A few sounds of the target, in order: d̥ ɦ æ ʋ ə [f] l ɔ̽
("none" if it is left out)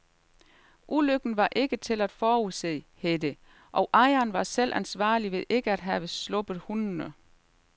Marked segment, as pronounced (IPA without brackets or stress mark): s